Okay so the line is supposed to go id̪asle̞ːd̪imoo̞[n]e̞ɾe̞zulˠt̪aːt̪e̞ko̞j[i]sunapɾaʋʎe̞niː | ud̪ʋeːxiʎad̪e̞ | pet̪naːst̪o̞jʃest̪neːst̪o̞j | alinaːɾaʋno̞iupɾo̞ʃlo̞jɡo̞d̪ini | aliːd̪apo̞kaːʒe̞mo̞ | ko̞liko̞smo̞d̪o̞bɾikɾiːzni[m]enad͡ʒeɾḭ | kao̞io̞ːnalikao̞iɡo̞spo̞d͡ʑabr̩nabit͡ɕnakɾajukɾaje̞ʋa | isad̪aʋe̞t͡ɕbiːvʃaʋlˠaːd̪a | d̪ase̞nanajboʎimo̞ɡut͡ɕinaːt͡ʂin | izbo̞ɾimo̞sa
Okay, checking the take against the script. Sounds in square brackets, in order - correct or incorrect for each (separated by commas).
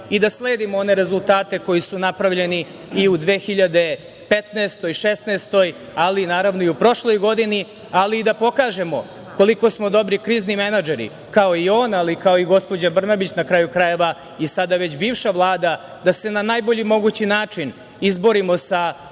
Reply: correct, correct, correct